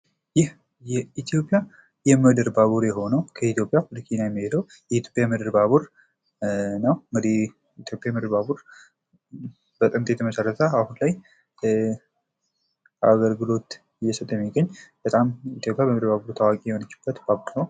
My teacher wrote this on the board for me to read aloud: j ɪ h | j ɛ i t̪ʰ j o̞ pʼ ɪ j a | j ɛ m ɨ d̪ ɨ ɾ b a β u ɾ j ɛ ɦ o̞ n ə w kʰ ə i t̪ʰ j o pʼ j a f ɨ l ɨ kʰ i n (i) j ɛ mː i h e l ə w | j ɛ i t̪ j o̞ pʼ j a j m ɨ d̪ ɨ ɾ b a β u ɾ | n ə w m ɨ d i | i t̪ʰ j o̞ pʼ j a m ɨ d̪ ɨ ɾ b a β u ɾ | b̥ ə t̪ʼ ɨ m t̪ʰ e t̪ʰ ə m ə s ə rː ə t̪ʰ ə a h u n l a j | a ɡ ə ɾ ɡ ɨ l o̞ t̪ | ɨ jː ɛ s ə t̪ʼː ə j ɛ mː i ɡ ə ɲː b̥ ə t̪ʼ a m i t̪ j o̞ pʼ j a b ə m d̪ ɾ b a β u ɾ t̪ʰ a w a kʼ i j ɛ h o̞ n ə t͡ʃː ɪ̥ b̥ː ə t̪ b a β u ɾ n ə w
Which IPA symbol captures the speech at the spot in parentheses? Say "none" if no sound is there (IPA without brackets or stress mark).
a